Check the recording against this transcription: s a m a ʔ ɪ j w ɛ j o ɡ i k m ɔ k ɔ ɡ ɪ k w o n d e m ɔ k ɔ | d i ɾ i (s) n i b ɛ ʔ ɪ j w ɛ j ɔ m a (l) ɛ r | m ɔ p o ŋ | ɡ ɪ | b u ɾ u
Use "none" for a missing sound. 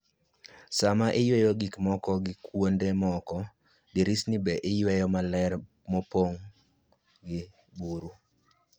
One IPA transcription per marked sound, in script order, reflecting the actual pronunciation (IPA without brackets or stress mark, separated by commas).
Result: s, l